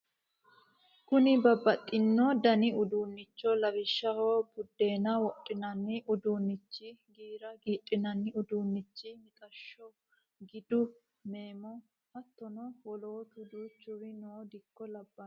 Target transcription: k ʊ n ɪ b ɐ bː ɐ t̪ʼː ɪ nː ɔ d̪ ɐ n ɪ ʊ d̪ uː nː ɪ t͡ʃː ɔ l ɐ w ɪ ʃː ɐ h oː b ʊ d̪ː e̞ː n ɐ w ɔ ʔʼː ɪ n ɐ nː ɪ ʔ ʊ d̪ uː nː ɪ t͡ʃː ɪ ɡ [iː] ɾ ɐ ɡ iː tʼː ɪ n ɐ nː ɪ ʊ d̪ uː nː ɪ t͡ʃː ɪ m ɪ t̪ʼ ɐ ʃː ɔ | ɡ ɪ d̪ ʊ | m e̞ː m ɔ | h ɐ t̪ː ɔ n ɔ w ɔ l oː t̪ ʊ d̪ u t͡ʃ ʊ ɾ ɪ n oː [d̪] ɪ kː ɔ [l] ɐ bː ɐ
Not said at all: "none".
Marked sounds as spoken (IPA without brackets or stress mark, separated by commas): iː, d̪, l